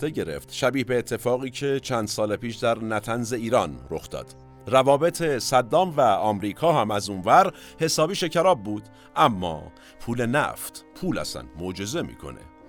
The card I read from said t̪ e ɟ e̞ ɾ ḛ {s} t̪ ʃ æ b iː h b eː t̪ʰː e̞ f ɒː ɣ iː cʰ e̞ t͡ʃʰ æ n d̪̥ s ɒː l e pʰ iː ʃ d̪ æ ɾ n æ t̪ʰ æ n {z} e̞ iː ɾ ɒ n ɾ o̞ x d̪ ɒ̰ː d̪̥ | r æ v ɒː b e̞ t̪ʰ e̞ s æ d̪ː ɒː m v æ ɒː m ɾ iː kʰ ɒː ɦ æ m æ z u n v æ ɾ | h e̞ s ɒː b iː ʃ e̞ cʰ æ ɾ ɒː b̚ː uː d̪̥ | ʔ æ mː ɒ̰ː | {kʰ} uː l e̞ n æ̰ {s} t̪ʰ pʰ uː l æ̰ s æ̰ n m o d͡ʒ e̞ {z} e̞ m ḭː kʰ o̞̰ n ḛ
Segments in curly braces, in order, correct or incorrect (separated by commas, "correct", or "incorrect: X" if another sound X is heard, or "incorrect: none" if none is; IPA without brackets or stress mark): incorrect: f, correct, incorrect: pʰ, incorrect: f, correct